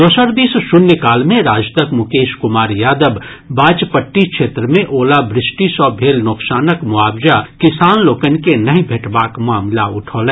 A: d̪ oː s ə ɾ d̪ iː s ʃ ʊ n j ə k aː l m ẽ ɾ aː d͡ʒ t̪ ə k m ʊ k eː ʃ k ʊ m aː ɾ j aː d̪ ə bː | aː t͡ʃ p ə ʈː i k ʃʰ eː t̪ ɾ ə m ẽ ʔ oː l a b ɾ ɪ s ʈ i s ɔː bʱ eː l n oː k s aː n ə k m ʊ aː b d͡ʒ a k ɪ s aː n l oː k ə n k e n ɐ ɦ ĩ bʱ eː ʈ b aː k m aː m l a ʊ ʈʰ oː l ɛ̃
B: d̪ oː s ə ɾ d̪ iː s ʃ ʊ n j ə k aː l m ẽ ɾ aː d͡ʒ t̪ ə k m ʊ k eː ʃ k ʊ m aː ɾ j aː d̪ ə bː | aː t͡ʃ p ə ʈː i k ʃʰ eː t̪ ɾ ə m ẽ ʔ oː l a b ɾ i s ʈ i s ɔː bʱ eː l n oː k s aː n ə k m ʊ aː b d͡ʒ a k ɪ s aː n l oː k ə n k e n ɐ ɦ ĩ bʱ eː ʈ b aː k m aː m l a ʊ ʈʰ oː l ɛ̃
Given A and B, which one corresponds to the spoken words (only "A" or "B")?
A